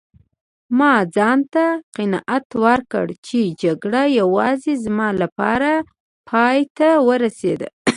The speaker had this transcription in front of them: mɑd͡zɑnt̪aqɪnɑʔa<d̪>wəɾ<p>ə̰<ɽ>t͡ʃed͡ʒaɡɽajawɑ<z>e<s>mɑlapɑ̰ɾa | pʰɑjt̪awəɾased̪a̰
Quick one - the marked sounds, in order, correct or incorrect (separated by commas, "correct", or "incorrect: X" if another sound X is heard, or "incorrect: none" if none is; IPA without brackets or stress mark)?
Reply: incorrect: t̪, incorrect: k, correct, correct, incorrect: z